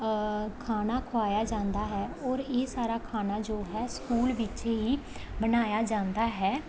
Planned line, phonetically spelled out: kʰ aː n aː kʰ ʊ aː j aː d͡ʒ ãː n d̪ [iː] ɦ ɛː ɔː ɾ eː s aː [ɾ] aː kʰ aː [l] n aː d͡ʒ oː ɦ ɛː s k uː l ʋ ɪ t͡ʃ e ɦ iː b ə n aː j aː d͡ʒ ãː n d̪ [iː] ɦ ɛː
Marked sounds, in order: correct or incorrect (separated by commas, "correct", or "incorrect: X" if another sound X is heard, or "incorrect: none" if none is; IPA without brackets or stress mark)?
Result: incorrect: aː, correct, incorrect: none, incorrect: aː